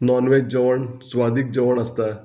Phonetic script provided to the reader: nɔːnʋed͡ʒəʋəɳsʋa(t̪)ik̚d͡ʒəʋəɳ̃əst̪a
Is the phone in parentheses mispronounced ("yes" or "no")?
yes